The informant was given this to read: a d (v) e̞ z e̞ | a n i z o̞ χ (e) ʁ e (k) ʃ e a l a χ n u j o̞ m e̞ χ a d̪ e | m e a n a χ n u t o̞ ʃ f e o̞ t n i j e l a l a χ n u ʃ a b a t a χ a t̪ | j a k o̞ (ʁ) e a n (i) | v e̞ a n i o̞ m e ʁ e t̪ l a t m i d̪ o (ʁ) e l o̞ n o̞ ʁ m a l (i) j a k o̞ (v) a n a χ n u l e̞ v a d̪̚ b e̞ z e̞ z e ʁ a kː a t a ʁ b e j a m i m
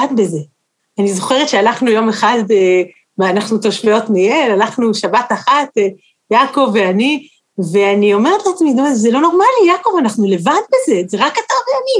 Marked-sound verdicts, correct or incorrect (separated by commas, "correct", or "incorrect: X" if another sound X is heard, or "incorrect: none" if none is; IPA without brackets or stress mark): incorrect: b, correct, incorrect: t, incorrect: v, correct, incorrect: z, correct, correct